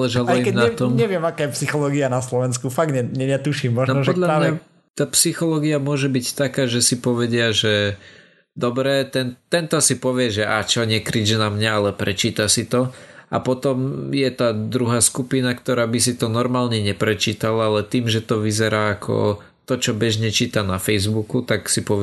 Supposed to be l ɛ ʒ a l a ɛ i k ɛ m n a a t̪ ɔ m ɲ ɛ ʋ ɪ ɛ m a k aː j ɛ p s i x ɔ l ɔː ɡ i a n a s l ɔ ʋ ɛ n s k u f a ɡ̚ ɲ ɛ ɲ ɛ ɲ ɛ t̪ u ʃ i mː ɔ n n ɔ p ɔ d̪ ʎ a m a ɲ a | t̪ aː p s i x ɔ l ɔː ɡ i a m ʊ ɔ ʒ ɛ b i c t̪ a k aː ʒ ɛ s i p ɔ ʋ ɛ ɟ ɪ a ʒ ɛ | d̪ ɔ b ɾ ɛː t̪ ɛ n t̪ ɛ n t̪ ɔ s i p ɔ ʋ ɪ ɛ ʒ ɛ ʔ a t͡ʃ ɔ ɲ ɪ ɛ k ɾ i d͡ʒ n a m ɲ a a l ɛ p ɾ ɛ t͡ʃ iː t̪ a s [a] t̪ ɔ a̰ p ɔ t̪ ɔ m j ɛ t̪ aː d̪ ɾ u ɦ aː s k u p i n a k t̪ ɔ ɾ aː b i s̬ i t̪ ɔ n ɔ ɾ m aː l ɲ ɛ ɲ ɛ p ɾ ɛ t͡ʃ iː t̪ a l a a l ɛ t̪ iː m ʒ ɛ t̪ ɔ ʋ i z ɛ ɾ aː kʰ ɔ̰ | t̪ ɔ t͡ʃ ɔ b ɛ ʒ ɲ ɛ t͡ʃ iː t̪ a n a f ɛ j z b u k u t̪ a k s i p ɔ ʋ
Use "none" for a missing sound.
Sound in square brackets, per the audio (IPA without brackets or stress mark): i